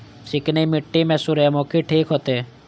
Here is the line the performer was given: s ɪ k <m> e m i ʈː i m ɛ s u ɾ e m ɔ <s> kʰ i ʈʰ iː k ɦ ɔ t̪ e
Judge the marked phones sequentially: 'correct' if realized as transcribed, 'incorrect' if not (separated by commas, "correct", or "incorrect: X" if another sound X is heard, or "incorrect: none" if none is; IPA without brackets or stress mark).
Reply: incorrect: n, incorrect: none